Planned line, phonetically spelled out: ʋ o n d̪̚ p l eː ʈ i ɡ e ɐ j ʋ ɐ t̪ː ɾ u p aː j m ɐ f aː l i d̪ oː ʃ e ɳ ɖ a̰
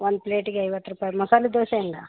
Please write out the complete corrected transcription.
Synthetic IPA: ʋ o n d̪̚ p l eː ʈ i ɡ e ɐ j ʋ ɐ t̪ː ɾ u p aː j m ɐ s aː l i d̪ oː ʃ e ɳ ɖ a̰